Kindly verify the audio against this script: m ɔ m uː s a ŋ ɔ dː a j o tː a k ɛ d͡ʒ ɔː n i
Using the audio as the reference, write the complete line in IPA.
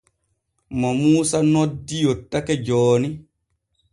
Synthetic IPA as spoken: m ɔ m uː s a n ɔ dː i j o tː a k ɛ d͡ʒ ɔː n i